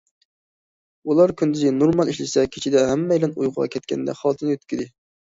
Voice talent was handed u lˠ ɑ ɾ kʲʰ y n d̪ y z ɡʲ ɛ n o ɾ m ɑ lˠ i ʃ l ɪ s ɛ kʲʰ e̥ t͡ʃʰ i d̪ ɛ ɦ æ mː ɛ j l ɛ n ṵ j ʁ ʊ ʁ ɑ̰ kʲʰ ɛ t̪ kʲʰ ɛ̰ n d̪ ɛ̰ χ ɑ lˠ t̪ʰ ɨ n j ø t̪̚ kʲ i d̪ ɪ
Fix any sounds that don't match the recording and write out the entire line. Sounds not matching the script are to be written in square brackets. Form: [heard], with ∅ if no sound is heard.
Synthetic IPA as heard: u lˠ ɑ ɾ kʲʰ y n d̪ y z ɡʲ ɛ n o ɾ m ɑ lˠ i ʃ l ɪ s ɛ kʲʰ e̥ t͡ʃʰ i d̪ ɛ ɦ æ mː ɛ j l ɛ n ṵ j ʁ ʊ ʁ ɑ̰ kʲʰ ɛ t̪ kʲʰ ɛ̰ n d̪ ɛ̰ χ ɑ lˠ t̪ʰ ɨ n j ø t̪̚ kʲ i d̪ ɪ